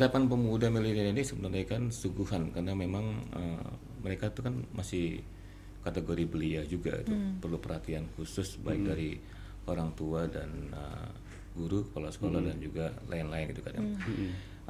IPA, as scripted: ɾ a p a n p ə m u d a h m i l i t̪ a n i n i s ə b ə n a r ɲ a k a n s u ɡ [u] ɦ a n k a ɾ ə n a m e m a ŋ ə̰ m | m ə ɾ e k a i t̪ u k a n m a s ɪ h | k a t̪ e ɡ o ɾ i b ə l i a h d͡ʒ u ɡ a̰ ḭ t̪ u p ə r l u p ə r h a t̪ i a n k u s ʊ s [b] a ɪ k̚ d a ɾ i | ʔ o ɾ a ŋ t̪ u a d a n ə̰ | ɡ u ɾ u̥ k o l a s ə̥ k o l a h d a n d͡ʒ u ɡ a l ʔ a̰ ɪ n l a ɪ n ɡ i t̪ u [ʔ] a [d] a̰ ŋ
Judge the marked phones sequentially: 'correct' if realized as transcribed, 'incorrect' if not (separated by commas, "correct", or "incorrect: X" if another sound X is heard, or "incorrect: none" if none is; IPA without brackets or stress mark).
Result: correct, correct, incorrect: k, correct